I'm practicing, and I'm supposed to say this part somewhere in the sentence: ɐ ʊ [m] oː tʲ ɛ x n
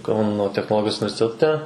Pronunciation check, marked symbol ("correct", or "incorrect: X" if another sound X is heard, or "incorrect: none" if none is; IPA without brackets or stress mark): incorrect: n